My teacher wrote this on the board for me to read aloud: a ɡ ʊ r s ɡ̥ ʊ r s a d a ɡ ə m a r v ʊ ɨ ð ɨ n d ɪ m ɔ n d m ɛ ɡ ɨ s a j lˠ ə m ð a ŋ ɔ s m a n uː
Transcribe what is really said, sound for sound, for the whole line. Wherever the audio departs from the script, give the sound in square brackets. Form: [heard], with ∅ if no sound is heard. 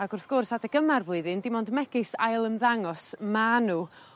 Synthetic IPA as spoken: a ɡ ʊ r [θ] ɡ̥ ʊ r s a d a ɡ ə m a r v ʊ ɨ ð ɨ n d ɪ m ɔ n d m ɛ ɡ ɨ s a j lˠ ə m ð a ŋ ɔ s m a n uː